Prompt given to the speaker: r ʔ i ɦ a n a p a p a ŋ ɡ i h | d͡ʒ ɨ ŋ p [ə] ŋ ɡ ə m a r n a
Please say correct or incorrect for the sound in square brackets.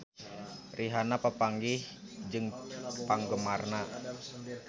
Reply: incorrect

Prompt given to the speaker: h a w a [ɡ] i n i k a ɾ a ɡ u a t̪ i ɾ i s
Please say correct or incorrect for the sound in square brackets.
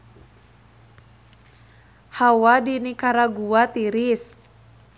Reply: incorrect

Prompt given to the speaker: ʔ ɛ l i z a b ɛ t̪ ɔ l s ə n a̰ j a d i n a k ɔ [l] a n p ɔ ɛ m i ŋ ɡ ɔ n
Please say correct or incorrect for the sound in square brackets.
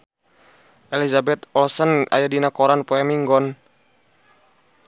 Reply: incorrect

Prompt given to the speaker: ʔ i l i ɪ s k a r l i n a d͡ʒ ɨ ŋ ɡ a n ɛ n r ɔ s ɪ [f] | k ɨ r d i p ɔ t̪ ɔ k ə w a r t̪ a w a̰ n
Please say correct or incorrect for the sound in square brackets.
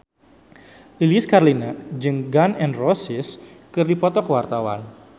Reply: incorrect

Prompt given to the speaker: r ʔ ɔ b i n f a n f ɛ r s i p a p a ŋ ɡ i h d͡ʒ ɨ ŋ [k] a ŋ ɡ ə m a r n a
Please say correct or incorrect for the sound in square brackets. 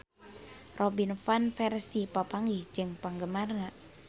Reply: incorrect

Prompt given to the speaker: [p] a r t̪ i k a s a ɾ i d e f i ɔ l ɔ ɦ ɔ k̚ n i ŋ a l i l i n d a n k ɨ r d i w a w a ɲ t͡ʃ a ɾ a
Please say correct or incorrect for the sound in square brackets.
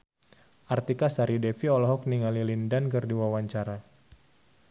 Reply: incorrect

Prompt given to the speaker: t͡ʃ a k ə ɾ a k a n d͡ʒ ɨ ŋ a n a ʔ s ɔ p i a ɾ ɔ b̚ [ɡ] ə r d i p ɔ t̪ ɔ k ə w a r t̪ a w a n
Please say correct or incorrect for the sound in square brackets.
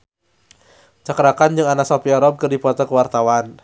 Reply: incorrect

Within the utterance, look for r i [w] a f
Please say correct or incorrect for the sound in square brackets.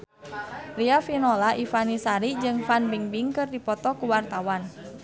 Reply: incorrect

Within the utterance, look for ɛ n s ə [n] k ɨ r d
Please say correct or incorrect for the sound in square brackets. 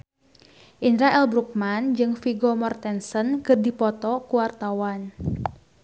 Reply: correct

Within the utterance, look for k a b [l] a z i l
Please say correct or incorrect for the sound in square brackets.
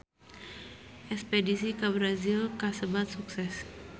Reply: incorrect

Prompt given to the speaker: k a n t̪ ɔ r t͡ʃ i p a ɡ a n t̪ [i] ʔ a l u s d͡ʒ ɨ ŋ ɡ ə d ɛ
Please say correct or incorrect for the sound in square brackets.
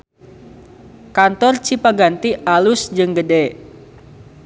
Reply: correct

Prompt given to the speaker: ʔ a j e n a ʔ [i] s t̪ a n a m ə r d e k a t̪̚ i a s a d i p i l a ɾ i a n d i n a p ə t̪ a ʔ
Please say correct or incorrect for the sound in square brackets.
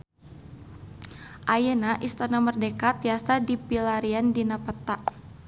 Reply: correct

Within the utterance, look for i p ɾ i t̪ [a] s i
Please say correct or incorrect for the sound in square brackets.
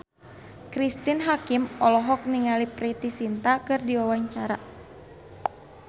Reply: incorrect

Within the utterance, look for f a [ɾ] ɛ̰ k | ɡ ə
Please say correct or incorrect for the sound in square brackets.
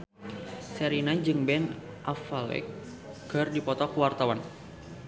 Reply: incorrect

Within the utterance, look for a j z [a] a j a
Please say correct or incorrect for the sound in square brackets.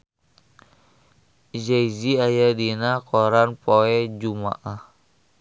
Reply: incorrect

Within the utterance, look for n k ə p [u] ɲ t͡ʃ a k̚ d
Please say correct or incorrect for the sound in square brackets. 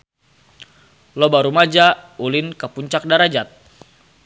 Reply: correct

